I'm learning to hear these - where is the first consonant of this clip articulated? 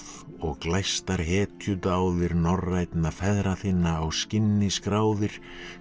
velum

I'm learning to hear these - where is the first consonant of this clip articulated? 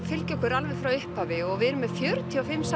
lips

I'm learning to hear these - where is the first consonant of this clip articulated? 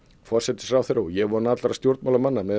lips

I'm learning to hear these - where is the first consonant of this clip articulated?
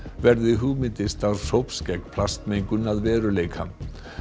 lips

